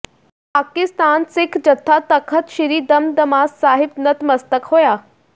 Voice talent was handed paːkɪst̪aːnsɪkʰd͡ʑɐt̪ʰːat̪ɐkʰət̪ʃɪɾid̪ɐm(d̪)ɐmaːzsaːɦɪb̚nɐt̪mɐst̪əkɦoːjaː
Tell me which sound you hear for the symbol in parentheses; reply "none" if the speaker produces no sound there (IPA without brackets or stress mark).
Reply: d̪